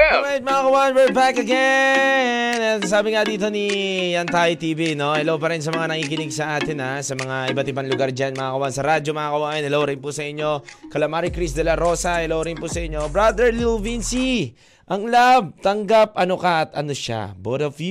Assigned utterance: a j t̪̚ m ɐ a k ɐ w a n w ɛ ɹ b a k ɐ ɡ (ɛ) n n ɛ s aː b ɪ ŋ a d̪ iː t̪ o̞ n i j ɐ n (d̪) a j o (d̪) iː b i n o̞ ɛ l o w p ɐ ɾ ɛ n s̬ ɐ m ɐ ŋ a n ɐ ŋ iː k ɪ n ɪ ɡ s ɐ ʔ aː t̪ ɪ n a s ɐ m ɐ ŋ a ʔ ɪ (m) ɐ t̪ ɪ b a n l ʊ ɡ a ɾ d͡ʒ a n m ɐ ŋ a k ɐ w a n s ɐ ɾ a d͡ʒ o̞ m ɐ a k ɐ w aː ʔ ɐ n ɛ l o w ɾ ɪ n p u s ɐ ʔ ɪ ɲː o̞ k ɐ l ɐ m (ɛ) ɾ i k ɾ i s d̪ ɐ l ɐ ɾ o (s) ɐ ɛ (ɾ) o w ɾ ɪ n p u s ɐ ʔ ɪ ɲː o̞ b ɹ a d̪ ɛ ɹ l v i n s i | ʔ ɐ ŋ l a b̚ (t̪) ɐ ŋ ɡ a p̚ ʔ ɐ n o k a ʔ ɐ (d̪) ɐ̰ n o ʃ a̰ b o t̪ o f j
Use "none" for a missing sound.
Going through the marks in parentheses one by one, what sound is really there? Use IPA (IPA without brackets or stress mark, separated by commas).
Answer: ɛ, t̪, t̪, b, a, s, l, t̪, t̪